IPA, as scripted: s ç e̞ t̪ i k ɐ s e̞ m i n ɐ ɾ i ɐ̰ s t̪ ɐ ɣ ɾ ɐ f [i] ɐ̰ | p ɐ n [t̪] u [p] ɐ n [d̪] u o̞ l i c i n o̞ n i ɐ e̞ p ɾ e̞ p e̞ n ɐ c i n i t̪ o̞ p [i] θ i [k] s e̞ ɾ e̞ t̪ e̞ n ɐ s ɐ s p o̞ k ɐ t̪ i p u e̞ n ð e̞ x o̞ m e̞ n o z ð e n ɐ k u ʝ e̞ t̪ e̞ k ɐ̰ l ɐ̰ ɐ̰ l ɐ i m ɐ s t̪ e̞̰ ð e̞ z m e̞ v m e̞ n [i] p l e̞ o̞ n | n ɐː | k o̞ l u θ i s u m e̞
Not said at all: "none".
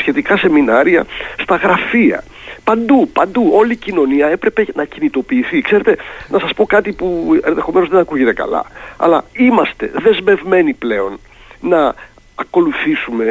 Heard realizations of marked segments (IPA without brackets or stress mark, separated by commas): i, d̪, p, d̪, iː, k, i